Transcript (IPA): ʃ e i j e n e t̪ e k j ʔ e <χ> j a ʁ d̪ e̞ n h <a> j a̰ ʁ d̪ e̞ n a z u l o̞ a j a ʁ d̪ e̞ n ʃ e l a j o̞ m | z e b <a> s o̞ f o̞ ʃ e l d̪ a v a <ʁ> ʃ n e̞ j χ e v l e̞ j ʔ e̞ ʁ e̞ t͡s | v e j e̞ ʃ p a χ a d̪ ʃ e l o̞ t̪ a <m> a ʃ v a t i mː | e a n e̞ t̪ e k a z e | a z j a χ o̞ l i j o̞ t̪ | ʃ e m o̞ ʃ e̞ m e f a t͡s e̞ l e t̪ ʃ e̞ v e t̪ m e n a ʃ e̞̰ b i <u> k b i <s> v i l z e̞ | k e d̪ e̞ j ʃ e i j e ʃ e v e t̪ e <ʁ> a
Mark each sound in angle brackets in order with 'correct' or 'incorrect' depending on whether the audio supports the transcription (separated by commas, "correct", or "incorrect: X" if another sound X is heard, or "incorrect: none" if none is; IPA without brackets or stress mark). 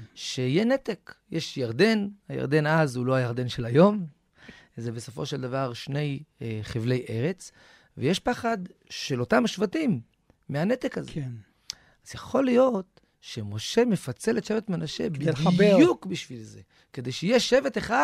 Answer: incorrect: ʃ, correct, incorrect: e, correct, correct, correct, incorrect: ʃ, incorrect: χ